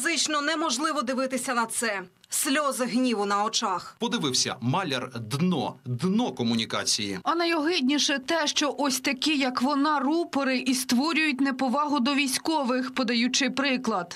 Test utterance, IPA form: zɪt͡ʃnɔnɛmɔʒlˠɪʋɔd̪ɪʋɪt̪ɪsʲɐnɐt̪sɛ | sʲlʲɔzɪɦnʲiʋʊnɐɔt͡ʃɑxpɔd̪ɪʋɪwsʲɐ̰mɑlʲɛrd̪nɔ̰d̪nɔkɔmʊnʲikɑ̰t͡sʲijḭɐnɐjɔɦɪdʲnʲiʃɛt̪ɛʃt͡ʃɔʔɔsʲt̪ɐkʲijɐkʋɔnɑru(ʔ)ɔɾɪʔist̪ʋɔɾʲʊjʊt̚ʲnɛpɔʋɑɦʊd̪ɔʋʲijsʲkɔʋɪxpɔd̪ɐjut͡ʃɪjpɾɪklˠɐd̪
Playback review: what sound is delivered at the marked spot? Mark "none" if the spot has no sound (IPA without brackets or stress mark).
p